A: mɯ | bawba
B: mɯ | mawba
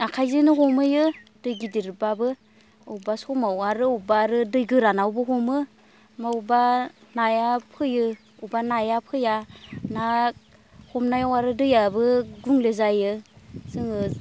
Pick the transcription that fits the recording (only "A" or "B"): B